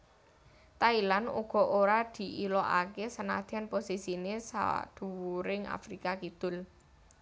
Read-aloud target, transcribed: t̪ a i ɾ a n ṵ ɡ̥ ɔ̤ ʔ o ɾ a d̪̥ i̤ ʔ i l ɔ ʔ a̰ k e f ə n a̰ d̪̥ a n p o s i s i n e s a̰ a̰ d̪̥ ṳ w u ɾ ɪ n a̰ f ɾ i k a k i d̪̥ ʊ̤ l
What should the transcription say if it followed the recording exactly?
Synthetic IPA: t̪ a i l a n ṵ ɡ̥ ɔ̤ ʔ o ɾ a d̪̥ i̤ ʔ i l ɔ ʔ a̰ k e s ə n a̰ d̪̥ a n p o s i s i n e s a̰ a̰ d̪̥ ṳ w u ɾ ɪ ŋ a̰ f ɾ i k a k i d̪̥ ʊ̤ l